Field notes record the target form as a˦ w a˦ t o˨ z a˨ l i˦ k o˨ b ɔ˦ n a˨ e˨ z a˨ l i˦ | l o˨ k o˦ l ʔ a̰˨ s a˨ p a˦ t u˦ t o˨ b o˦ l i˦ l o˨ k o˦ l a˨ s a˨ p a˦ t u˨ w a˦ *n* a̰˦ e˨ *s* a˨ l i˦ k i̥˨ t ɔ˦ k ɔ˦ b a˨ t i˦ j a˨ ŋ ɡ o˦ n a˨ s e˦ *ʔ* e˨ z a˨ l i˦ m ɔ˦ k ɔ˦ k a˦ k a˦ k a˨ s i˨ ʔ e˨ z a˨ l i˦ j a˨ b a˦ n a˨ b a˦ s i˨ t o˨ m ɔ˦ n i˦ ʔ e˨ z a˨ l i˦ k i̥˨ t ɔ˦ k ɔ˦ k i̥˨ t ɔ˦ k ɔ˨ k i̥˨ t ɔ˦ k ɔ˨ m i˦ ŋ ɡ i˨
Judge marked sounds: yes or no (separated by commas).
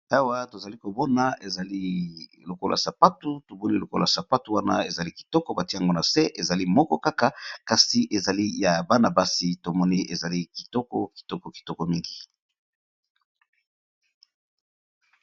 yes, no, yes